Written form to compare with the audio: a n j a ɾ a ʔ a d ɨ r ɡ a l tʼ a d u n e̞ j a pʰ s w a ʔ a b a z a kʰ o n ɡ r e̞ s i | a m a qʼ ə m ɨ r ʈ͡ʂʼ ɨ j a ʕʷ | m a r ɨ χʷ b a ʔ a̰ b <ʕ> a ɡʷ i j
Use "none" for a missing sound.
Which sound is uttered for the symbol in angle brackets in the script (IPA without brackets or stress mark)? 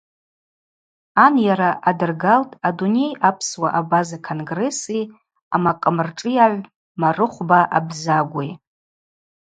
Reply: z